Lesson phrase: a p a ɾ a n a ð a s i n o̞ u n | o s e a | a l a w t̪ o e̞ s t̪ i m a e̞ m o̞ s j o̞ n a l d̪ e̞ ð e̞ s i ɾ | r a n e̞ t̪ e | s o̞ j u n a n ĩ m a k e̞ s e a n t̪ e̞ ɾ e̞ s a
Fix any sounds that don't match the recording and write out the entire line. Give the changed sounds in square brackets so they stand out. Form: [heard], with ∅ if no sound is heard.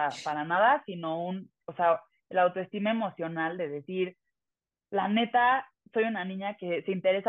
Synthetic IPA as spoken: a p a ɾ a n a ð a s i n o̞ u n | o s e a | [e] l a w t̪ o e̞ s t̪ i m a e̞ m o̞ s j o̞ n a l d̪ e̞ ð e̞ s i ɾ | [l] a n e̞ t̪ [a] | s o̞ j u n a n ĩ [ɲ] a k e̞ s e [i] n t̪ e̞ ɾ e̞ s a